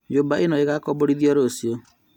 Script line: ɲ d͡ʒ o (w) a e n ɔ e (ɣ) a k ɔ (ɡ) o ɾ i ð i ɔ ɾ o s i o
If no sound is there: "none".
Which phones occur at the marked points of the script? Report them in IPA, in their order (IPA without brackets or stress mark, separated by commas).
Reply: b, ɣ, b